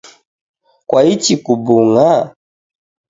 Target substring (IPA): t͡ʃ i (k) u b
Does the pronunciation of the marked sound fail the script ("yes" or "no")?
no